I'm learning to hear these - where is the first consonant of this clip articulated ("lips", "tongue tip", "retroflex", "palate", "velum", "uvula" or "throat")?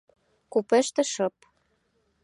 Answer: velum